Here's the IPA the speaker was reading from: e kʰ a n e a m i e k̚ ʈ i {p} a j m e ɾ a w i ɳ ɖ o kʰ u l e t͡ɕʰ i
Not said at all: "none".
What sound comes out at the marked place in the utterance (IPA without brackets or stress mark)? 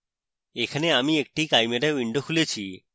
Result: k